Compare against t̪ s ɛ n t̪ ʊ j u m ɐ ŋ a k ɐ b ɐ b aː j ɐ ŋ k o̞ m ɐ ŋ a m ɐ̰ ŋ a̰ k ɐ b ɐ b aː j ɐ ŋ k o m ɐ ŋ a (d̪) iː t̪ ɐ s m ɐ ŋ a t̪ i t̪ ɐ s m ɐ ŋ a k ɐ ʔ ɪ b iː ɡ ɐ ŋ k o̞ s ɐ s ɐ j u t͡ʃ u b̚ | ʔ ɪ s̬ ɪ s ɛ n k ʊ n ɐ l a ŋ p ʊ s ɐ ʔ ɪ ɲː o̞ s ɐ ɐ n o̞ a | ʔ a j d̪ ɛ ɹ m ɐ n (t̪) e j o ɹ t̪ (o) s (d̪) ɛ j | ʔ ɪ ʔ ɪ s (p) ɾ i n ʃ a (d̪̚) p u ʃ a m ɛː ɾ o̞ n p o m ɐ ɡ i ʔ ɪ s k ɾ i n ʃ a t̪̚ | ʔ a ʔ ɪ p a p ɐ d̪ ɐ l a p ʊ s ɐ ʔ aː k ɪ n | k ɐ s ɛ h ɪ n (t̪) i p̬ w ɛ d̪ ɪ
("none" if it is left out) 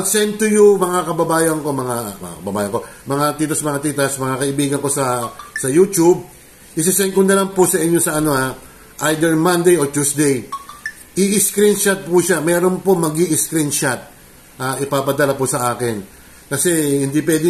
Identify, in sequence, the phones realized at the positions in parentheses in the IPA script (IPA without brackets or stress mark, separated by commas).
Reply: t̪, d̪, u, d̪, k, t̪̚, d̪